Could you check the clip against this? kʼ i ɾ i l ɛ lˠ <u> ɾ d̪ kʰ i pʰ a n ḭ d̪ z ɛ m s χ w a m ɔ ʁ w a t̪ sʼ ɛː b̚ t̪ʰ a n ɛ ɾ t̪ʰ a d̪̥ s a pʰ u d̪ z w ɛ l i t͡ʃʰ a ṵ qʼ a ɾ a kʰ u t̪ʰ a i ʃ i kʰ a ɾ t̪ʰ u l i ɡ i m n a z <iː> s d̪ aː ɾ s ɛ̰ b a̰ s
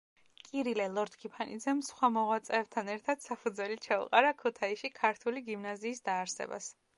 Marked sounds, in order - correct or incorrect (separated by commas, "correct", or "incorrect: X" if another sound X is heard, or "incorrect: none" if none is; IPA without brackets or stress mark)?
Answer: incorrect: ɔ, correct